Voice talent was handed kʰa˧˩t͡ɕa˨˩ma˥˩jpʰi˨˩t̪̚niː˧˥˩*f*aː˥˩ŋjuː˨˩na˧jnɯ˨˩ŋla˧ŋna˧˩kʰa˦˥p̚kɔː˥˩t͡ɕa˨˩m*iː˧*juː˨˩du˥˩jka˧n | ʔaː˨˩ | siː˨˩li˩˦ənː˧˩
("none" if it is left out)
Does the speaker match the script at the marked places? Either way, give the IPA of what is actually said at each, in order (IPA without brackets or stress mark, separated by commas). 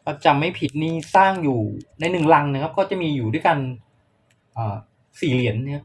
s, iː˧